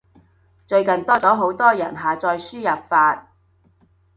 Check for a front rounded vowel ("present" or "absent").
present